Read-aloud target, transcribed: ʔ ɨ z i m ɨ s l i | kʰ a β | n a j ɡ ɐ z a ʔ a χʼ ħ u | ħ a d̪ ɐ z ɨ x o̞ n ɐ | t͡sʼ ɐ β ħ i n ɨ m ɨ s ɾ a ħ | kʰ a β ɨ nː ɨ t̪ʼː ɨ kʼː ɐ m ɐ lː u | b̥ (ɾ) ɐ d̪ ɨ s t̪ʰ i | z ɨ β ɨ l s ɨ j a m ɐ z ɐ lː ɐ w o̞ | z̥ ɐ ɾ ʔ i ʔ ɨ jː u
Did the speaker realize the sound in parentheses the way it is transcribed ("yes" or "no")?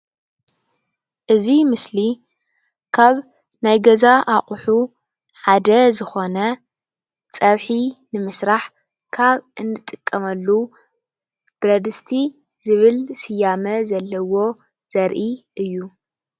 yes